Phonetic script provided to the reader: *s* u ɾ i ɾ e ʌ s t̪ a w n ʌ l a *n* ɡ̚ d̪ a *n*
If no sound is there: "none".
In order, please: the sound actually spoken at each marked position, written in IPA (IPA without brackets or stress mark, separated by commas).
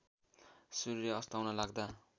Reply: s, none, none